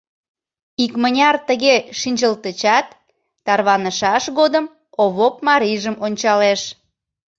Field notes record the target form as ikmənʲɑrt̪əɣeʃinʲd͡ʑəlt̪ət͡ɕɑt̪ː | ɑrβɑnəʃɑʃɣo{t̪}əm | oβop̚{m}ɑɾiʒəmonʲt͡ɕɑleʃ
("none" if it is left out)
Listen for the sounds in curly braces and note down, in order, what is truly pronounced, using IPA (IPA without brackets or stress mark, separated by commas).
d̪, m